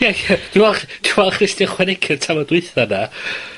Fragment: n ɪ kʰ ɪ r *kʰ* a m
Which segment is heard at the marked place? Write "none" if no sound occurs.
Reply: tʰ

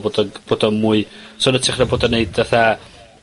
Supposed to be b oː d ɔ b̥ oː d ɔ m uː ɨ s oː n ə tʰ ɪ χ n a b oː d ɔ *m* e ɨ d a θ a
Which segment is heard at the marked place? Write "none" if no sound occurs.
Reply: n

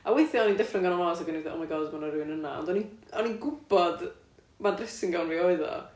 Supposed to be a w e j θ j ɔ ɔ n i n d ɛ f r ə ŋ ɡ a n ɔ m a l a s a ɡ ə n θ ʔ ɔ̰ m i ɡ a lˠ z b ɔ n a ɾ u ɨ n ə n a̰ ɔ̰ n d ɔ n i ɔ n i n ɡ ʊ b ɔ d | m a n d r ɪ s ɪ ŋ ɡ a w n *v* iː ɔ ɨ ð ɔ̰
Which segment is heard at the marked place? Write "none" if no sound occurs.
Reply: v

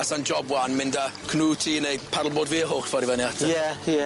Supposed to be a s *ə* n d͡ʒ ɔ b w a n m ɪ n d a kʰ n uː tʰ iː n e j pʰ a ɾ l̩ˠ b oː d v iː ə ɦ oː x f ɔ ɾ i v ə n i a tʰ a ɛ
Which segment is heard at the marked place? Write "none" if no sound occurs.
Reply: a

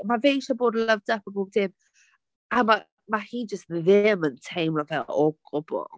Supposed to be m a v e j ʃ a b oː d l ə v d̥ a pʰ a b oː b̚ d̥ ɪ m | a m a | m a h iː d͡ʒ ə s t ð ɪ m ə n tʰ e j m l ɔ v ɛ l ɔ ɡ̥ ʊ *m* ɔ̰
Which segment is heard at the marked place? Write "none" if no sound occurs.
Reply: b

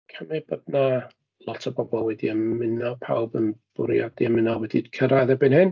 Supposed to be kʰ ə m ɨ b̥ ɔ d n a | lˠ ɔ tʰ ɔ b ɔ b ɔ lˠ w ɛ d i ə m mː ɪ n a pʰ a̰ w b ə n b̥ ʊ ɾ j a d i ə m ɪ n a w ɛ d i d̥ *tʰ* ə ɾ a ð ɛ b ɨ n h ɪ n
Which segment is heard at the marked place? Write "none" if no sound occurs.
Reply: kʰ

